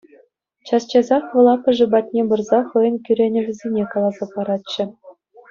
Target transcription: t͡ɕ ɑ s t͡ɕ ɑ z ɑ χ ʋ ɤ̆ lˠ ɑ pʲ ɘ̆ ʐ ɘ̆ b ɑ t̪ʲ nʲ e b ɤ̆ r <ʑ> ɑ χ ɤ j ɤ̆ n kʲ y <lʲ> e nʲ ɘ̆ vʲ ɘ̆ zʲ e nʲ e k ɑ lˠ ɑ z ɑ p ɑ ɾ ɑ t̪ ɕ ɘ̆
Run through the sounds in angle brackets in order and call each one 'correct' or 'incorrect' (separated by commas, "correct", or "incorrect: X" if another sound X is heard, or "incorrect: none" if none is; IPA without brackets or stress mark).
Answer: incorrect: z, incorrect: ɾʲ